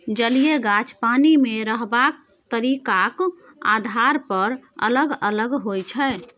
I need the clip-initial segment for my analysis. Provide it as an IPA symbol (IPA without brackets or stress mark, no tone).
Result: d͡ʒ